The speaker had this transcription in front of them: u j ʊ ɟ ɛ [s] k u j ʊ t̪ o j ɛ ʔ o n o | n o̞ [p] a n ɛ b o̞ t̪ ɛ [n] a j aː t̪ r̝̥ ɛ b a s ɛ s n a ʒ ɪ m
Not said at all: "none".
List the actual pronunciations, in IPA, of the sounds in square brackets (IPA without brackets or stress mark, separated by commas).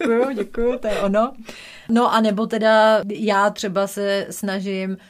none, ʔ, d